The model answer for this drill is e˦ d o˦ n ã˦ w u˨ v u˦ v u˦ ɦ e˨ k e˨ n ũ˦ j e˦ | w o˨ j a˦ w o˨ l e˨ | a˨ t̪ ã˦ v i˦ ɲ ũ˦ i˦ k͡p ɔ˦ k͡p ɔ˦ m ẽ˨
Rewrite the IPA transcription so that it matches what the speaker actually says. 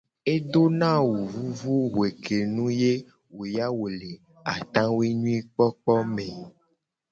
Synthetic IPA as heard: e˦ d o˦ n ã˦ w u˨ v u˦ v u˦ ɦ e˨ k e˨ n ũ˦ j e˦ | w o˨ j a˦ w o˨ l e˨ | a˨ t̪ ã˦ w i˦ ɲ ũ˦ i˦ k͡p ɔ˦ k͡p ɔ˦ m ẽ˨

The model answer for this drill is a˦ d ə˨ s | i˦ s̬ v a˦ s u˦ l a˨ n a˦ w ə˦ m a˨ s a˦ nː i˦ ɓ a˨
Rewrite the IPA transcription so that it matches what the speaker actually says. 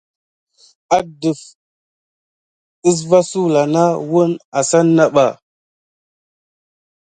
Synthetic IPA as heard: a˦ d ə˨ f | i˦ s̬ v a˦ s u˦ l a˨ n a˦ w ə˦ n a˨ s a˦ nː a˦ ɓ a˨

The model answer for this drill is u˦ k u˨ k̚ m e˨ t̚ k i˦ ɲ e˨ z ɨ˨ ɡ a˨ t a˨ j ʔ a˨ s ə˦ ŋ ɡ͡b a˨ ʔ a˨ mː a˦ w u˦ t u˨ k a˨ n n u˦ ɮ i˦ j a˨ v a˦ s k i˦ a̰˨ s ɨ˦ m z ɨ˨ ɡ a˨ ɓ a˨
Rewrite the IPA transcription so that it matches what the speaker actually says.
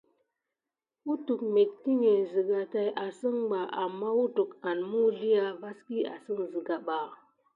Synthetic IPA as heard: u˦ t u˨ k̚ m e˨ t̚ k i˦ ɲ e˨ z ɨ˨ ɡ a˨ t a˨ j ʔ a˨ s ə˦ ŋ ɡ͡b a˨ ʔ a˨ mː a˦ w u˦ t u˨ k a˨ n m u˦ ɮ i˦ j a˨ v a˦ s k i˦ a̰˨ s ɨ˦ ŋ z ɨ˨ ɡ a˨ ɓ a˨

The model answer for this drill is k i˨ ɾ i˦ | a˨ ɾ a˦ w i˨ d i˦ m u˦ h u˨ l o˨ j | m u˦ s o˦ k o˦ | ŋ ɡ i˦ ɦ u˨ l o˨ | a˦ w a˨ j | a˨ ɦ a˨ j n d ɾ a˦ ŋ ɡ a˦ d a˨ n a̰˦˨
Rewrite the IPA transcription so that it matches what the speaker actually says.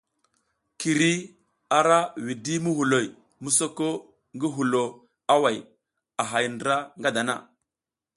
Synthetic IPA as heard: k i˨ ɾ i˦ | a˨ ɾ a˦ w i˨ d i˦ m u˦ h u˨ l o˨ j | m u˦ s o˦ k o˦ | ŋ ɡ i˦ ɦ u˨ l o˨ | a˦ w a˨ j | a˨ ɦ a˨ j n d ɾ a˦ ŋ ɡ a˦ d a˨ n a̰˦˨

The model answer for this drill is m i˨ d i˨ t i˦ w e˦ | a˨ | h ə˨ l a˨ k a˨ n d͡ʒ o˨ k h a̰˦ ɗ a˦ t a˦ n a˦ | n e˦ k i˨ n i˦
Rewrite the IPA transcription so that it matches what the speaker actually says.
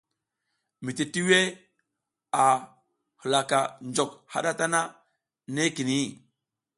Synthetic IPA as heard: m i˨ t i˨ t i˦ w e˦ | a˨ | h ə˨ l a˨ k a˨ n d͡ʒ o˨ k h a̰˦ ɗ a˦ t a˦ n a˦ | n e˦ k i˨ n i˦

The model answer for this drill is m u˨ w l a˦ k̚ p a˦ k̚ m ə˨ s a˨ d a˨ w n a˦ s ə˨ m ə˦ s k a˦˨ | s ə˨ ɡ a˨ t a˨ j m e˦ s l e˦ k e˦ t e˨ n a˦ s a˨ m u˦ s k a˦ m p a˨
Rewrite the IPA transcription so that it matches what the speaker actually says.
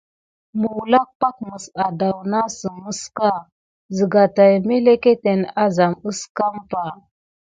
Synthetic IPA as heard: m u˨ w l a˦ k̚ p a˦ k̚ m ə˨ s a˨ d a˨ w n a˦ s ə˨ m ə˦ s k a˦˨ | z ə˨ ɡ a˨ t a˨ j m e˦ l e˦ k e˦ t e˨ n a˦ z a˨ m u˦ s k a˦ m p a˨

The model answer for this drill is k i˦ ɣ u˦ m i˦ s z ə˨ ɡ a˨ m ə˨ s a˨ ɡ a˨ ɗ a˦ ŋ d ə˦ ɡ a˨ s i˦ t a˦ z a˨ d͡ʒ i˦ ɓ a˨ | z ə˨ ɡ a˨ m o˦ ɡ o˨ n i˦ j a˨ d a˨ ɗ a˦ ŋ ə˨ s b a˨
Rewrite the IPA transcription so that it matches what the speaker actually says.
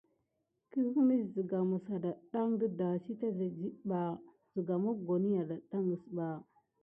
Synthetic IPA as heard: k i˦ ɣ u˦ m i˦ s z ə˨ ɡ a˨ m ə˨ s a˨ d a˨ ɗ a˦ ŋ d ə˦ d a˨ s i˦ t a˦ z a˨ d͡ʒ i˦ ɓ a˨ | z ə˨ ɡ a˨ m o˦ ɡ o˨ n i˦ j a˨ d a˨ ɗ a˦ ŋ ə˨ s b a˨

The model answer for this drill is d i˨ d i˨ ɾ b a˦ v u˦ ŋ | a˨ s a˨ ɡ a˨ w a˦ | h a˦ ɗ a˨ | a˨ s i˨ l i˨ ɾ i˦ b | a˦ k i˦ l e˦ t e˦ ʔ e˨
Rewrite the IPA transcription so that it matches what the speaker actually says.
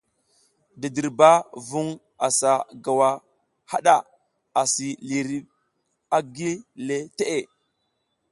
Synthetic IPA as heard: d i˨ d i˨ ɾ b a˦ v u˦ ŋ | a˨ s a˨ ɡ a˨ w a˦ | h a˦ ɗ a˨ | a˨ s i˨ l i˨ ɾ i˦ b | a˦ ɡ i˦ l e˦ t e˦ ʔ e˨

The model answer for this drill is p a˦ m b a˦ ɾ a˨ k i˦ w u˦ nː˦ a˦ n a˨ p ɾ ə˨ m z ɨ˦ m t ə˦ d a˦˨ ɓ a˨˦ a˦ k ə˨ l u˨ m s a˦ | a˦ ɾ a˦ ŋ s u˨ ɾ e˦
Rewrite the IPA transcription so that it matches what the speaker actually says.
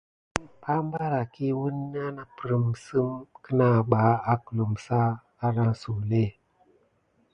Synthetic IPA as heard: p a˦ m b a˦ ɾ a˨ k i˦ w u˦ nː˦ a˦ n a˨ p ɾ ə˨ m s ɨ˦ m k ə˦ n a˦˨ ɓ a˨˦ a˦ k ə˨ l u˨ m s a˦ | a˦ ɾ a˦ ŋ s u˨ l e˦

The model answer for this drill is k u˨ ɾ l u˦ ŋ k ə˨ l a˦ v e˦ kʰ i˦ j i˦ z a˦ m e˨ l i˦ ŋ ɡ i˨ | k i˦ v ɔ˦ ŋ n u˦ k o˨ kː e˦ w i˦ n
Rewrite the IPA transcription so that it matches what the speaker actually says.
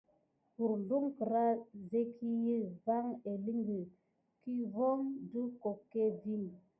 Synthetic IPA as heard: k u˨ ɾ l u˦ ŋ k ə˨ ɾ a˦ z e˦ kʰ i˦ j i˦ v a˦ ŋ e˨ l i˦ ŋ ɡ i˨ | k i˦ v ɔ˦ ŋ d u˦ k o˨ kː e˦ v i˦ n

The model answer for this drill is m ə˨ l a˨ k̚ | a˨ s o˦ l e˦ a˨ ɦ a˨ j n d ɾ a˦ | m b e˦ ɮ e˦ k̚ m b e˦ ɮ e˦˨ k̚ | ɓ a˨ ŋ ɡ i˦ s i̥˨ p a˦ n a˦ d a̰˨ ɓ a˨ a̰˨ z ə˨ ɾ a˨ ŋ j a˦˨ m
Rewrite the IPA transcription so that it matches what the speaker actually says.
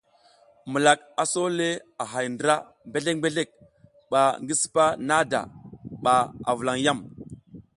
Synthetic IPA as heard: m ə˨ l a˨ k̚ | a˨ s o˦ l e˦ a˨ ɦ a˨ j n d ɾ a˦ | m b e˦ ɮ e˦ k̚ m b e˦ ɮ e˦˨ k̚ | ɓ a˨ ŋ ɡ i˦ s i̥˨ p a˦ n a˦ d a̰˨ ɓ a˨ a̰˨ v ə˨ l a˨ ŋ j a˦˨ m

